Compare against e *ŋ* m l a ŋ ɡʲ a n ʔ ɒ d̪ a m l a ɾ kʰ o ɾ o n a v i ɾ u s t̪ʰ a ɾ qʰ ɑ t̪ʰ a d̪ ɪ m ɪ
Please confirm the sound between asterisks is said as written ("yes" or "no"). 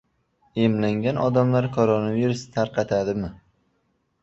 no